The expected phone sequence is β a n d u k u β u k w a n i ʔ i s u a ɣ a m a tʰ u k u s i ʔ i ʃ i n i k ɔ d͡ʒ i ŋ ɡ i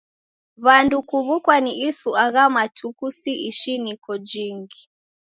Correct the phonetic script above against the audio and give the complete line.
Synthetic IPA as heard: β a n d u k u β u k w a n i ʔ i s u a ɣ a m a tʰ u k u s i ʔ i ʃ i n i k ɔ d͡ʒ i ŋ ɡ i